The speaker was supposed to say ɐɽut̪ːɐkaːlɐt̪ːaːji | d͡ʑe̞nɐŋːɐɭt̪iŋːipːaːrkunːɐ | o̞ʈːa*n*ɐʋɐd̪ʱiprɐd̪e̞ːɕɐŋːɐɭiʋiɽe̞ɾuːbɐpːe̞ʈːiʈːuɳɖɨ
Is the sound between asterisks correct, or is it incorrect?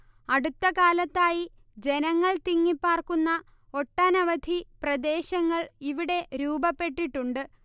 correct